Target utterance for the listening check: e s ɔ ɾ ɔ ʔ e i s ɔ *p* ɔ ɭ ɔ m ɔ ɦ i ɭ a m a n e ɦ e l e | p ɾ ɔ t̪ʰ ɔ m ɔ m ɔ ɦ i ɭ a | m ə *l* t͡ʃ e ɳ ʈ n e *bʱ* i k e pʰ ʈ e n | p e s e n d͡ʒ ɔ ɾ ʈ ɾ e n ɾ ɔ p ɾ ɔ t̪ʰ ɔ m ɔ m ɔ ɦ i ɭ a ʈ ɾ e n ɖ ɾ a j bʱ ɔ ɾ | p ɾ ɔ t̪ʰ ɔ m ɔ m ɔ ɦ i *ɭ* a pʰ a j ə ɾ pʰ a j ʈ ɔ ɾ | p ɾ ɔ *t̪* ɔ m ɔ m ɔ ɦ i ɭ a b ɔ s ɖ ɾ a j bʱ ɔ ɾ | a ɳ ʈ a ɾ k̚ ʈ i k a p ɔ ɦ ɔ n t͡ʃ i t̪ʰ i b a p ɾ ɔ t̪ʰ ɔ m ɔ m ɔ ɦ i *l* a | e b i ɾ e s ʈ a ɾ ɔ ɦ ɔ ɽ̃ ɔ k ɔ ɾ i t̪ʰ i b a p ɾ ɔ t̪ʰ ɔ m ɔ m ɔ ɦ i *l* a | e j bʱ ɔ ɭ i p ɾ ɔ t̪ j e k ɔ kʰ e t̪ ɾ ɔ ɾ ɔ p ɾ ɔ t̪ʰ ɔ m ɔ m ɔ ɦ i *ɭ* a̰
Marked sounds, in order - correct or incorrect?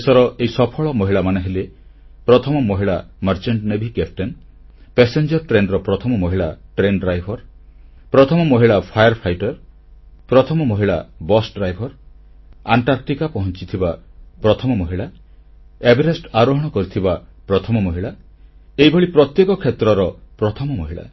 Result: incorrect: pʰ, incorrect: ɾ, correct, correct, incorrect: t̪ʰ, incorrect: ɭ, incorrect: ɭ, correct

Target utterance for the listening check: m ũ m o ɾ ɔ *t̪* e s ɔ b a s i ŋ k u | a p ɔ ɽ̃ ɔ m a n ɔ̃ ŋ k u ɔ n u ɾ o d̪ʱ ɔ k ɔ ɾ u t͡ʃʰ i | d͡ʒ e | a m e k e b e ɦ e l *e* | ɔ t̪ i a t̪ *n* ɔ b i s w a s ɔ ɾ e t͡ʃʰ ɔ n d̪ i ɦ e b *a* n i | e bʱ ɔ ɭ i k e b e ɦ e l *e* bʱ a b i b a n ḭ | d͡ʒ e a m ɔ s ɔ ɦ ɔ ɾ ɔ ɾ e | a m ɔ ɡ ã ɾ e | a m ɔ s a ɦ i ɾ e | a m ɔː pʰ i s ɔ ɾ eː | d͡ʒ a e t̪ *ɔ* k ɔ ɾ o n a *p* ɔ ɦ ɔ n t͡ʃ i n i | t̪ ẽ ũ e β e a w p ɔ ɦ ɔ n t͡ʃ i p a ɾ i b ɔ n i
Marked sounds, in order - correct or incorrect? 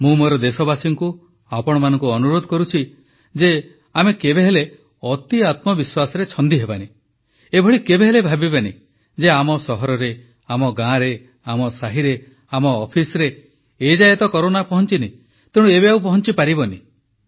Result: incorrect: d̪, correct, incorrect: m, correct, correct, correct, correct

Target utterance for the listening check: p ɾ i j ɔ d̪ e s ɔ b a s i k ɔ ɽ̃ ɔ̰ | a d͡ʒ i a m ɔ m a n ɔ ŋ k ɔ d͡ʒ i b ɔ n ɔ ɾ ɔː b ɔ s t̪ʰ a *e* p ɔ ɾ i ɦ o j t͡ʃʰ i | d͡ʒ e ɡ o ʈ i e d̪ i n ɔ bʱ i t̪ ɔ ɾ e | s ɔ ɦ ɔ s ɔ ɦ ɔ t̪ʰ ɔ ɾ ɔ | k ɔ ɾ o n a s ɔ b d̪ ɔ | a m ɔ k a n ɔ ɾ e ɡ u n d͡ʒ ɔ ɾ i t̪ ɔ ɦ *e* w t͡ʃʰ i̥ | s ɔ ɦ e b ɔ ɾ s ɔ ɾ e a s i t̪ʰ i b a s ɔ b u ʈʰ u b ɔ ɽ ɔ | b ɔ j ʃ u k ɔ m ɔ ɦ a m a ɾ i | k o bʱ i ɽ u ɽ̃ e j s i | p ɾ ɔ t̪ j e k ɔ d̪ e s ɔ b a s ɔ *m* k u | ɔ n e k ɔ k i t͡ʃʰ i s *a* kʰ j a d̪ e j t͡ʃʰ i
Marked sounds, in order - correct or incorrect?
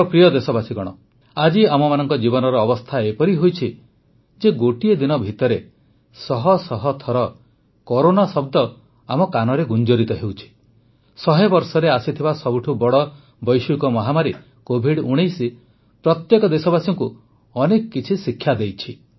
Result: correct, correct, incorrect: ŋ, incorrect: i

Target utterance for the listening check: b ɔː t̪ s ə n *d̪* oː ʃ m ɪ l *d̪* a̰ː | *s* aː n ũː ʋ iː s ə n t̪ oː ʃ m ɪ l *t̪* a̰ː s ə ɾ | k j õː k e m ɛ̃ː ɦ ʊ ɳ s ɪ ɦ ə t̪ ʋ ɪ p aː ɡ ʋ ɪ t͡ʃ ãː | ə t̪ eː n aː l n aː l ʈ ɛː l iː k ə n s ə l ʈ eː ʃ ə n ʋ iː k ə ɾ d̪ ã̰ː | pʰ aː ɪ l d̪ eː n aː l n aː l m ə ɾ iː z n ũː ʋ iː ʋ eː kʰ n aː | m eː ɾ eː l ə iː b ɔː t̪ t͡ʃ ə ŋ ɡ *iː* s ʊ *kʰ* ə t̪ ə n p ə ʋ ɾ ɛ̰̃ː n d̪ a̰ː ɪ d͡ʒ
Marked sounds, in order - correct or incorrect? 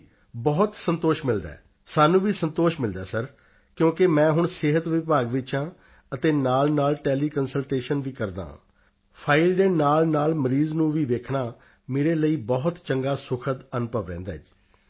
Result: incorrect: t̪, correct, correct, incorrect: d̪, incorrect: aː, correct

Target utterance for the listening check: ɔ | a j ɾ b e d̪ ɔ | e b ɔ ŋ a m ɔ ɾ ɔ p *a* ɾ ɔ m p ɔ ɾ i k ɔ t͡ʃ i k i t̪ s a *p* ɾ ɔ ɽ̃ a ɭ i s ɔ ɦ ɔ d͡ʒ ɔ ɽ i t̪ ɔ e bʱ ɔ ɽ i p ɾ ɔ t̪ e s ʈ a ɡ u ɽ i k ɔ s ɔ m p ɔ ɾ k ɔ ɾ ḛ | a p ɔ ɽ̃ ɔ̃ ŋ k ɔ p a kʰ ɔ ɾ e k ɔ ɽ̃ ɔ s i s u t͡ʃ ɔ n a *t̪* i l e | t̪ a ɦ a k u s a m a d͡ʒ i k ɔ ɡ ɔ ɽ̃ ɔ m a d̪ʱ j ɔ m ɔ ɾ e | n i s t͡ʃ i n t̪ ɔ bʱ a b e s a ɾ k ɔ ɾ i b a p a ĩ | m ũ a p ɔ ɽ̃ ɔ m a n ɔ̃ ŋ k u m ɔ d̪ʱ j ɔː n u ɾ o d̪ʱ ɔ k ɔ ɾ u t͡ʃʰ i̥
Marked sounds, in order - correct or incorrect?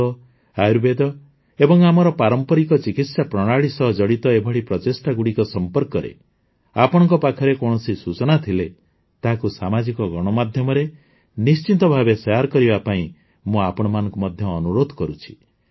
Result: correct, correct, incorrect: t̪ʰ

